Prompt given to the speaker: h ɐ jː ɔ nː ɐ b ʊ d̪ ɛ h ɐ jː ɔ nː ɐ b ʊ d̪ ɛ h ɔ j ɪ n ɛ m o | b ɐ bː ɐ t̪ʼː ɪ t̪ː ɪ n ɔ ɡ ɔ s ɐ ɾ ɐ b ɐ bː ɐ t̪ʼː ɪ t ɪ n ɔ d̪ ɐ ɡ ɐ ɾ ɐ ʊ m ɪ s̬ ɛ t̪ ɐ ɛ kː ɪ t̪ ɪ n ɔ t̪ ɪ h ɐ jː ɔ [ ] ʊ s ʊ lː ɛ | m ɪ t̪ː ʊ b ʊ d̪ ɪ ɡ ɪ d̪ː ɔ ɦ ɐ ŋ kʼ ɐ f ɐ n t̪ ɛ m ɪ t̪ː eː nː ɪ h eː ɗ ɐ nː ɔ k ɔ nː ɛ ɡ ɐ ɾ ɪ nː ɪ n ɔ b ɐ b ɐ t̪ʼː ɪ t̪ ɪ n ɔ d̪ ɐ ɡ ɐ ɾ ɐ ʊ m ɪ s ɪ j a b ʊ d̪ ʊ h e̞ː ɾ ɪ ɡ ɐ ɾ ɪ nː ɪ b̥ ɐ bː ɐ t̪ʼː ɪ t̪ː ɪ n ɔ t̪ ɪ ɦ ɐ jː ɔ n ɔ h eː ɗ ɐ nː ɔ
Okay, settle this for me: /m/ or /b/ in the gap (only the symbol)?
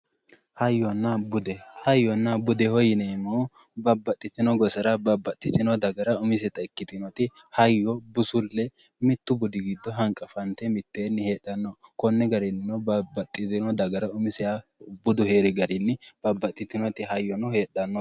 b